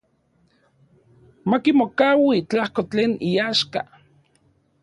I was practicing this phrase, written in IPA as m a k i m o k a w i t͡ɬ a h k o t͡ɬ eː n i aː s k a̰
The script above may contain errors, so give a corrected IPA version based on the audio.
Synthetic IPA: m a k i m o k a w i t͡ɬ a h k o t͡ɬ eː n i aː ʃ k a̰